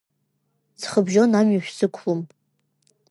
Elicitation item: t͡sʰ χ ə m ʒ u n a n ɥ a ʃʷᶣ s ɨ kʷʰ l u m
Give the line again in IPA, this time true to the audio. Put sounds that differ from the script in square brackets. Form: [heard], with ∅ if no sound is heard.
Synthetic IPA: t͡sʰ χ ə [b] ʒ [o] n a [m] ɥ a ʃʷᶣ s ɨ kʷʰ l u m

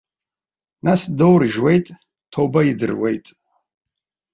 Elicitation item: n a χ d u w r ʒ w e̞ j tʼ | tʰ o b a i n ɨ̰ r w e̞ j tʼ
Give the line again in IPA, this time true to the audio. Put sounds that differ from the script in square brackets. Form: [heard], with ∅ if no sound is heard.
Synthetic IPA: n a [s] d [o] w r ʒ w e̞ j tʼ | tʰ o b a i [d] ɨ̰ r w e̞ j tʼ

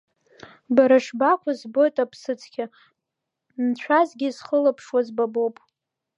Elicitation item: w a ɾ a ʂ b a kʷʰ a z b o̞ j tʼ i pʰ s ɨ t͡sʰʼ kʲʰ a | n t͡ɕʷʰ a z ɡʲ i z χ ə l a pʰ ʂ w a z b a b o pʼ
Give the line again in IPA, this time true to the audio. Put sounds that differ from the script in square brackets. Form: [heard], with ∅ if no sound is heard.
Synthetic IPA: [b] a ɾ a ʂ b a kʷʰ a z b o̞ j tʼ [a] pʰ s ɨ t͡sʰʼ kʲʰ a | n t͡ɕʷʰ a z ɡʲ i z χ ə l a pʰ ʂ w a z b a b o pʼ

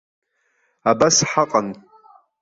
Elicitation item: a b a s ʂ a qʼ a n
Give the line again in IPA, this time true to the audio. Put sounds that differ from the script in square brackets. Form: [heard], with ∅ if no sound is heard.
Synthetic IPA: a b a s [ħ] a qʼ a n

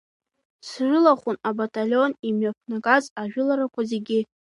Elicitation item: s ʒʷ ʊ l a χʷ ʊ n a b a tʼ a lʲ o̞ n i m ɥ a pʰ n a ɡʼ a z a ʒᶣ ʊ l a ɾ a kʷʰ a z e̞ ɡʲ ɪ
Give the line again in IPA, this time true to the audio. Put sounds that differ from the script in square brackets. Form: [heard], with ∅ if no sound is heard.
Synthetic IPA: s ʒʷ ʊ l a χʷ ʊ n a b a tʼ a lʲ o̞ n i m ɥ a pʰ n a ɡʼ a z a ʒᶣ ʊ l a ɾ a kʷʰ a z e̞ ɡʲ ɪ

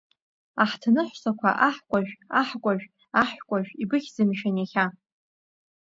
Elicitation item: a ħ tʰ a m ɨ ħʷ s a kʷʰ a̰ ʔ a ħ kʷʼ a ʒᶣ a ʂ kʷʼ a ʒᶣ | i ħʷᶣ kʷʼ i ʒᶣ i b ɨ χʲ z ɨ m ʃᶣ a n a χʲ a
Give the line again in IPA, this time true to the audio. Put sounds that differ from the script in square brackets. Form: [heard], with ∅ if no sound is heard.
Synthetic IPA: a ħ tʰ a [n] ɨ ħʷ s a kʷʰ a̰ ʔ a ħ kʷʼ a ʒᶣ a [ħ] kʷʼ a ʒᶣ | [a] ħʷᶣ kʷʼ [a] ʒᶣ i b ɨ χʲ z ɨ m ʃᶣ a n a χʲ a

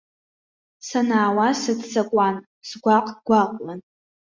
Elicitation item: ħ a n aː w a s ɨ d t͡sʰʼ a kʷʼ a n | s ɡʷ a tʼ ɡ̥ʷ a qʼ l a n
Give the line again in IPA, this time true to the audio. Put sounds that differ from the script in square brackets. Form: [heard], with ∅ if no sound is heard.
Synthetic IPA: [s] a n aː w a s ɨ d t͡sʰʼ a kʷʼ a n | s ɡʷ a [qʼ] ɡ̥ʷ a qʼ l a n

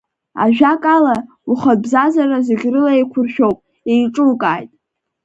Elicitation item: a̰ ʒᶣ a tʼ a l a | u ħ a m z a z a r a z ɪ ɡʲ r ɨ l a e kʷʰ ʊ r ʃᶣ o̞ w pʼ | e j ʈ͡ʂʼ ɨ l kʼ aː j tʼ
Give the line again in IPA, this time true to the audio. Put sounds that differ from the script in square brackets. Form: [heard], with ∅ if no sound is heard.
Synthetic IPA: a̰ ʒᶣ a [kʼ] a l a | u [χ] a [b] z a z a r a z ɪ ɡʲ r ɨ l a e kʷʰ ʊ r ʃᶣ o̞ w pʼ | e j ʈ͡ʂʼ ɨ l kʼ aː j tʼ

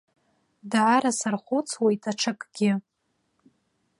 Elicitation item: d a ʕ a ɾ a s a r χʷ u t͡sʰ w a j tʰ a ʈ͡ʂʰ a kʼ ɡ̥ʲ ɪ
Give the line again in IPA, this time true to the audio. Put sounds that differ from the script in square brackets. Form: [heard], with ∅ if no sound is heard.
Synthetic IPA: d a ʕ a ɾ a s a r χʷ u t͡sʰ w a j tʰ a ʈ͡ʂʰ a kʼ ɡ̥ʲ ɪ

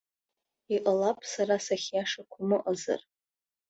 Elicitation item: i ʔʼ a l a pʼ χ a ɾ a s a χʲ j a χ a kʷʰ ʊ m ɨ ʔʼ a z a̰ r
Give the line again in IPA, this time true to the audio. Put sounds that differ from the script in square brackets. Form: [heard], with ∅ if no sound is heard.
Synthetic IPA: i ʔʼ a l a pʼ [s] a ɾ a s a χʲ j a [ʂ] a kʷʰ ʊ m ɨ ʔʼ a z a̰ r

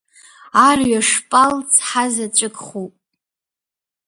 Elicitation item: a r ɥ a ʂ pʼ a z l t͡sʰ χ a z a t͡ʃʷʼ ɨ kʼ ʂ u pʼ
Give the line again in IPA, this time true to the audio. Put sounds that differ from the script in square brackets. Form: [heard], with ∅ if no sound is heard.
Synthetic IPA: a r ɥ a ʂ pʼ a [∅] l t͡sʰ [ħ] a z a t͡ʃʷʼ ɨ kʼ [χ] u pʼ

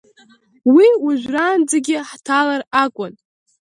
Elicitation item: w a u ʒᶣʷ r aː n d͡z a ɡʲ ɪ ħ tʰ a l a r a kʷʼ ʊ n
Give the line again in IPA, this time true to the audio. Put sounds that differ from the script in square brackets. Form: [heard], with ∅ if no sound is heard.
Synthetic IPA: w [i] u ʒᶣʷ r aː n d͡z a ɡʲ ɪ ħ tʰ a l a r a kʷʼ ʊ n

